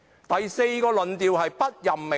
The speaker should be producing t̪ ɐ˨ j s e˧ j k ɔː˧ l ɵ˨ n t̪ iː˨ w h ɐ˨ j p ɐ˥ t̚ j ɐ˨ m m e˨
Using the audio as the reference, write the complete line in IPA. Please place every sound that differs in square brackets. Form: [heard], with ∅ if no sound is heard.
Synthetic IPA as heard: t̪ ɐ˨ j s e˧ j k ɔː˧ l ɵ˨ n t̪ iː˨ w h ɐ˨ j p ɐ˥ t̚ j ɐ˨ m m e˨